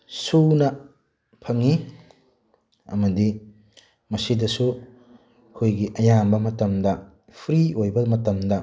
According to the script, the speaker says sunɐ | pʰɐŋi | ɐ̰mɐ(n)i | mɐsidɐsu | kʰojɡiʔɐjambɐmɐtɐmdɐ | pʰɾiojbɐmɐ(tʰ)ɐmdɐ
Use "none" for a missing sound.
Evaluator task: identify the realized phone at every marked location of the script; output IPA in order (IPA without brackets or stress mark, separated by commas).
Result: d, t